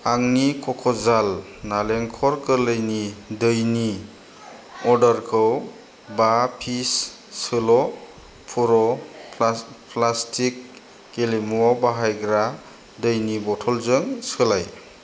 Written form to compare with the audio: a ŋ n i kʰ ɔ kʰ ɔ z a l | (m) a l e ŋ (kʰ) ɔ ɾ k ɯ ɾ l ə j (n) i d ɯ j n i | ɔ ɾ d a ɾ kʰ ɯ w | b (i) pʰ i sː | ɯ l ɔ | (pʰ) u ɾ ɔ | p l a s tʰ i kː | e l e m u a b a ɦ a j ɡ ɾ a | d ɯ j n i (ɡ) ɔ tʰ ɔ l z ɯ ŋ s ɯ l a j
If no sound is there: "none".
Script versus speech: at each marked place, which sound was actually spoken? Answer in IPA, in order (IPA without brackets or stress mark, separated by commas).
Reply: n, kʰ, n, a, pʰ, b